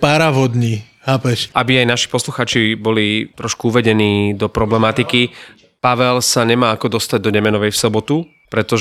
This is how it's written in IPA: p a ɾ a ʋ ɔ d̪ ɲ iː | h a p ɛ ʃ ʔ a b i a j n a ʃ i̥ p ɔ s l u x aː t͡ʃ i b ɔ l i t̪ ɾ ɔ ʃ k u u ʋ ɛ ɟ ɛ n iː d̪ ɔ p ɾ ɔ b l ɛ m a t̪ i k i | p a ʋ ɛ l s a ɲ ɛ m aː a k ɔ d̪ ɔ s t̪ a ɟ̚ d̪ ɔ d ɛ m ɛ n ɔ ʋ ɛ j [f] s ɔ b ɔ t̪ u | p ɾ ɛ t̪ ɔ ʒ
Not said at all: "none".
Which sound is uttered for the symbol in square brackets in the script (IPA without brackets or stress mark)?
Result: f